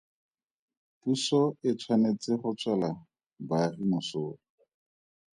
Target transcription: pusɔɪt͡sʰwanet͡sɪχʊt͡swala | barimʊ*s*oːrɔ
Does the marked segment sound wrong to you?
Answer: no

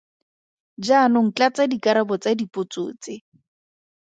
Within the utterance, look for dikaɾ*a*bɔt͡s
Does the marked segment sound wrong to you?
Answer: no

